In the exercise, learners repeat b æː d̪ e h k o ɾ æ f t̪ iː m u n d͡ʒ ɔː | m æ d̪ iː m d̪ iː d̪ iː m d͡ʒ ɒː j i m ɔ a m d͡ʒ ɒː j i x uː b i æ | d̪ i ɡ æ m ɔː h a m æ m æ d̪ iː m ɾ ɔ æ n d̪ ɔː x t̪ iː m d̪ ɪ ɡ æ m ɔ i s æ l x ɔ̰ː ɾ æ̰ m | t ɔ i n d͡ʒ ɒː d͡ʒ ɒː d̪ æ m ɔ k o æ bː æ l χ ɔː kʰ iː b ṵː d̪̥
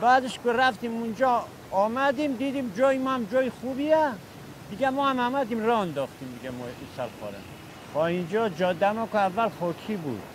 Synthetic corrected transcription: b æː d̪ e ʃ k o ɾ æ f t̪ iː m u n d͡ʒ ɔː | m æ d̪ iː m d̪ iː d̪ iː m d͡ʒ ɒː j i m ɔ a m d͡ʒ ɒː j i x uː b i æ | d̪ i ɡ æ m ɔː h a m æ m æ d̪ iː m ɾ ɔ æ n d̪ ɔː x t̪ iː m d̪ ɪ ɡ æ m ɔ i s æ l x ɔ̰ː ɾ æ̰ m | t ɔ i n d͡ʒ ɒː d͡ʒ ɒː d̪ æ m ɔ k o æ vː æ l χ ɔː kʰ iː b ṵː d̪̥